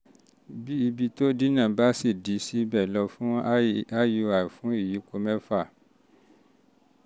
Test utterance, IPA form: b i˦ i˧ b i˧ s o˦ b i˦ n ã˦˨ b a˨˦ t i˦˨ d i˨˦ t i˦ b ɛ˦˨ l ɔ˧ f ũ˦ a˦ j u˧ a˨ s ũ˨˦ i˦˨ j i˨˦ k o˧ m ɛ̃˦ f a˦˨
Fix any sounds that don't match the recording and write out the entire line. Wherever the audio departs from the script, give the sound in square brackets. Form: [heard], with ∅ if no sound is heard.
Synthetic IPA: b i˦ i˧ b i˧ [t] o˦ [d] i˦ n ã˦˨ b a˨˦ [s] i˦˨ d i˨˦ [s] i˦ b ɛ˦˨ l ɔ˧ f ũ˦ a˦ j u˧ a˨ [f] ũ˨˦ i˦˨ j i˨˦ k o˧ m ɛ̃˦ f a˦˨